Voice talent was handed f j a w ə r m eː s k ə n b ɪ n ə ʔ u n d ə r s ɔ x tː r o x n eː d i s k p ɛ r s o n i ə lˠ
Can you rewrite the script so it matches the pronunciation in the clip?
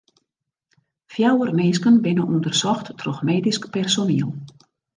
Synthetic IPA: f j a w ə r m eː s k ə n b ɪ n ə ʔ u n d ə r s ɔ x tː r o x m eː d i s k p ɛ r s o n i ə lˠ